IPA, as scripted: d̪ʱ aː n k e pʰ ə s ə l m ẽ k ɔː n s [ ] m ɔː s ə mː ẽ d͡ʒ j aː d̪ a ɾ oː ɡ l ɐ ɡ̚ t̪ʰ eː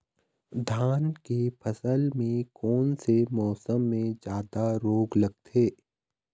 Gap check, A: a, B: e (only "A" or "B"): B